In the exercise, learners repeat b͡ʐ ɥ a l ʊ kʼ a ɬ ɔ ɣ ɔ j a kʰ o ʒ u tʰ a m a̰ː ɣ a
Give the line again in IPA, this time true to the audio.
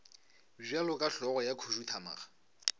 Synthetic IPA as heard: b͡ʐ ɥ a l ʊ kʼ a ɬ ɔ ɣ ɔ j a kʰ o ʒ u tʰ a m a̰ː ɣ a

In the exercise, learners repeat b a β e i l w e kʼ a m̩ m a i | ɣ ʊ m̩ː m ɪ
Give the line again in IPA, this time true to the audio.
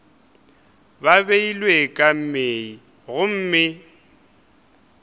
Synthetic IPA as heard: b a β e i l w e kʼ a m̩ m e i | ɣ ʊ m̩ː m ɪ

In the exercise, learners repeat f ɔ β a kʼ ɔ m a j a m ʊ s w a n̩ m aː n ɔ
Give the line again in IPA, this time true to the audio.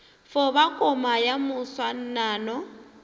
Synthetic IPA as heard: f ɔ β a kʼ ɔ m a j a m ʊ s w a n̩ n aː n ɔ

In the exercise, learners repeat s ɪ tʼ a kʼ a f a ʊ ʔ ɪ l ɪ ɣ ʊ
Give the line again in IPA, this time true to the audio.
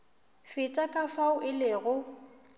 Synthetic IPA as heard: f ɪ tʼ a kʼ a f a ʊ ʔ ɪ l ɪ ɣ ʊ

